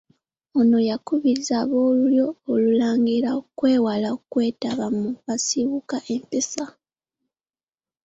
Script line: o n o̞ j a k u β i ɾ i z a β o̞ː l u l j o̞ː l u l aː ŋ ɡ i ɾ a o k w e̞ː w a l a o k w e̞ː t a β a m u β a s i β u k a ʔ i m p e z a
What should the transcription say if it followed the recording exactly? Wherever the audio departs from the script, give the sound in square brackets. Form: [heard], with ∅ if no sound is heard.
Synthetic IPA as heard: o n o̞ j a k u β i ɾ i z a β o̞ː l u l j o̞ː l u l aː ŋ ɡ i ɾ a o k w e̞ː w a l a o k w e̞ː t a β a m u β a s i β u k a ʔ [e] m p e [s] a